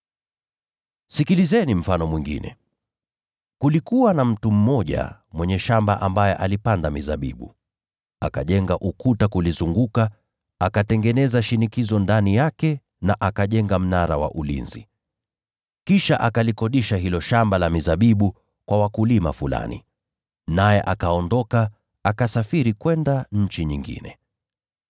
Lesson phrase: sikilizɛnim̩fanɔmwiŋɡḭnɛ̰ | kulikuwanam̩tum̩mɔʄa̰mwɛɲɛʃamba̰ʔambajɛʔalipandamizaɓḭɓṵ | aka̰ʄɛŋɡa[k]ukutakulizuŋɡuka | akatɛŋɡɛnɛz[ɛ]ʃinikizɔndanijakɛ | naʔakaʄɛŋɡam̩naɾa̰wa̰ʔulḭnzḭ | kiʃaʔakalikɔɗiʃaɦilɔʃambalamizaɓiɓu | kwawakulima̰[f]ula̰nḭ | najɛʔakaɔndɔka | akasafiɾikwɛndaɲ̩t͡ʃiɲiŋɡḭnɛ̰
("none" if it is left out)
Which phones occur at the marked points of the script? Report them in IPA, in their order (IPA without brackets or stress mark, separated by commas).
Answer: ʔ, a, f